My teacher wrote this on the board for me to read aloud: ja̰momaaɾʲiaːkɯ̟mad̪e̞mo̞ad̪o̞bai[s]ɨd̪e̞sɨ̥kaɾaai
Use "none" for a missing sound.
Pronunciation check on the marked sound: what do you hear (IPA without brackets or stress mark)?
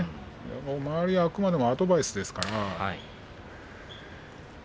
s